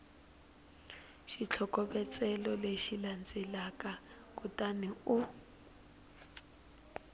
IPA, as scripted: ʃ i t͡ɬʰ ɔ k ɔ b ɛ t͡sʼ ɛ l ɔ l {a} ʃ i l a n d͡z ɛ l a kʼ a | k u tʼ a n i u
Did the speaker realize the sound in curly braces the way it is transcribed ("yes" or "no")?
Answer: no